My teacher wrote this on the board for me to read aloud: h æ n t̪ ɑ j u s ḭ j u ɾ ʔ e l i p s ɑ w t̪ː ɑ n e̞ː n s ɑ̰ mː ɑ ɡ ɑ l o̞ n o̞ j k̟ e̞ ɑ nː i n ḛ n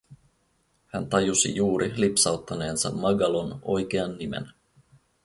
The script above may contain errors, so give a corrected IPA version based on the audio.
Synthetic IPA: h æ n t̪ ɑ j u s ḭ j uː ɾ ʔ i l i p s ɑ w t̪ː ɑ n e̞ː n s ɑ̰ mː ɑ ɡ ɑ l o̞ n o̞ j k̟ e̞ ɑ nː i m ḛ n